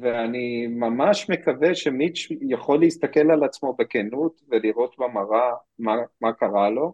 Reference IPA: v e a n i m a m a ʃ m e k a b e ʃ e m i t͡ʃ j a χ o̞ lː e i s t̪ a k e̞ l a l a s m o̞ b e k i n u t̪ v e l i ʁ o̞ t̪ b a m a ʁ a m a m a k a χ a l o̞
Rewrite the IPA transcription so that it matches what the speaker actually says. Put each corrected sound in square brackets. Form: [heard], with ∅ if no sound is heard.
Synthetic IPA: v e a n i m a m a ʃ m e k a [v] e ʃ e m i t͡ʃ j a χ o̞ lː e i s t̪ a k e̞ l a l a [t͡s] m o̞ b e k [e] n u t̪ v e l i ʁ o̞ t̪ b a m a ʁ a m a m a k a [ʁ] a l o̞